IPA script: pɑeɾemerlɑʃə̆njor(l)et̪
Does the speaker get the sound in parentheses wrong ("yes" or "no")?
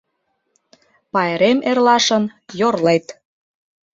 no